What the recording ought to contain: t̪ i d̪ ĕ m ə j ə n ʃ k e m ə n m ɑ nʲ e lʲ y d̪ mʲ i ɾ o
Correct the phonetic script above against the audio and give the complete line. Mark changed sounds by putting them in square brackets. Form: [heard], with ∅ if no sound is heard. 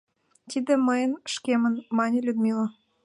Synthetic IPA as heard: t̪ i d̪ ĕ m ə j ə n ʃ k e m ə n m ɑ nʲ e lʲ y d̪ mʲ i [l] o